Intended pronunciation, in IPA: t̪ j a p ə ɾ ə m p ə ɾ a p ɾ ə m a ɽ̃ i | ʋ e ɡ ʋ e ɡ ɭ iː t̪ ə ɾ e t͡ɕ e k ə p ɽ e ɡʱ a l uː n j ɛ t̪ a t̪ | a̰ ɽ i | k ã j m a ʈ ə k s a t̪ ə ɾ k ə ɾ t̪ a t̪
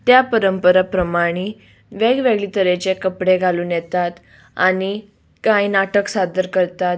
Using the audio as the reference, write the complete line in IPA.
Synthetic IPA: t̪ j a p ə ɾ ə m p ə ɾ a p ɾ ə m a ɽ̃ i | ʋ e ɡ ʋ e ɡ ɭ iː t̪ ə ɾ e t͡ɕ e k ə p ɽ e ɡʱ a l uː n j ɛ t̪ a t̪ | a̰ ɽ i | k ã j n a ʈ ə k s a d̪ ə ɾ k ə ɾ t̪ a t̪

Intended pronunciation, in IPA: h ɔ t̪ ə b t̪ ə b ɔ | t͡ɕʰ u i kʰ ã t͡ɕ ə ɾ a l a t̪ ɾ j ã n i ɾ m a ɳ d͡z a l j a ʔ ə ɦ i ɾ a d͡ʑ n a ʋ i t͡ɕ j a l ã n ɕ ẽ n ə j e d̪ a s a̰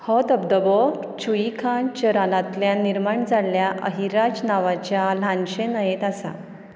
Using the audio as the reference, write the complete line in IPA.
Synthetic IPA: h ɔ t̪ ə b d̪ ə b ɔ | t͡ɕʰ u i kʰ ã t͡ɕ ə ɾ a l a t̪ l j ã n i ɾ m a ɳ d͡z a l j a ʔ ə ɦ i ɾ a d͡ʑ n a ʋ a t͡ɕ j a l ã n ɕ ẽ n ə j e t̪ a s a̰

